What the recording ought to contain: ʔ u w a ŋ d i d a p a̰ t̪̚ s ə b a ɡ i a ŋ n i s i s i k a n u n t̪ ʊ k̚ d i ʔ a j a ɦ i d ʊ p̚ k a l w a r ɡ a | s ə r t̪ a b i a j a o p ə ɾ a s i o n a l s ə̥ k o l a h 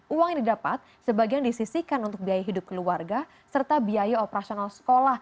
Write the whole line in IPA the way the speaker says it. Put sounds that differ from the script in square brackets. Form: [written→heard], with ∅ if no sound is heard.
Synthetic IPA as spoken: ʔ u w a ŋ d i d a p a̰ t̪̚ s ə b a ɡ i a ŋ [n→d] i s i s i k a n u n t̪ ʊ k̚ [d→b] i [ʔ→∅] a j a ɦ i d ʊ p̚ k [a→ə] l [w→u] a r ɡ a | s ə r t̪ a b i a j a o p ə ɾ a s i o n a l s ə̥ k o l a h